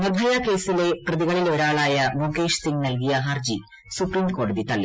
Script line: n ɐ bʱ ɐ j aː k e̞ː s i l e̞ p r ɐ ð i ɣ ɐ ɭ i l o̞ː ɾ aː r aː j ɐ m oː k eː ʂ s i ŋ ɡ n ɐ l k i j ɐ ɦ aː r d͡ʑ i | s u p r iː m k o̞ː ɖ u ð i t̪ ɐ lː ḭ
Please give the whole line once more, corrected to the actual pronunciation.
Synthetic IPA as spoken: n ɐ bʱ ɐ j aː k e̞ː s i l e̞ p r ɐ ð i ɣ ɐ ɭ i l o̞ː ɾ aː ɭ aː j ɐ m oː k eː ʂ s i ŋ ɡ n ɐ l k i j ɐ ɦ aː r d͡ʑ i | s u p r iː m k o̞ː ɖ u ð i t̪ ɐ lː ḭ